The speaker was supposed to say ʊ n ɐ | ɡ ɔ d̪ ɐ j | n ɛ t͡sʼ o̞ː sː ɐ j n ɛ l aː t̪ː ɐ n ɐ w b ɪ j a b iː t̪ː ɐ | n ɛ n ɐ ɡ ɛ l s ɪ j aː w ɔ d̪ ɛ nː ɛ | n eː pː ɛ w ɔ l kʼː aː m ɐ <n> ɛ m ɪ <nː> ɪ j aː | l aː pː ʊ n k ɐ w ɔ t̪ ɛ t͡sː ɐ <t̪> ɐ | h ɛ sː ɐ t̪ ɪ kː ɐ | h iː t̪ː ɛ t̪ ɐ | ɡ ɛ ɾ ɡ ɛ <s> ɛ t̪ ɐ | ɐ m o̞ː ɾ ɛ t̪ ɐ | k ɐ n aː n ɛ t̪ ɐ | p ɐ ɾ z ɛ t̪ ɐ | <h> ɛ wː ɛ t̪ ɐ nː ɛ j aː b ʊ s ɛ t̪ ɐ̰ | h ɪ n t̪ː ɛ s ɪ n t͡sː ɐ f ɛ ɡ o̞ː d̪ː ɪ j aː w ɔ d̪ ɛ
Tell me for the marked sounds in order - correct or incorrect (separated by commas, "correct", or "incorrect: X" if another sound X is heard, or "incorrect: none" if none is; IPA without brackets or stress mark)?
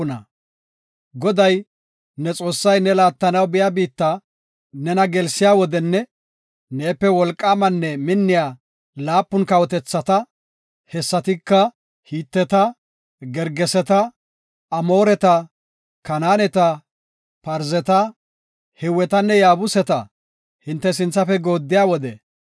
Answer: incorrect: nː, correct, correct, correct, correct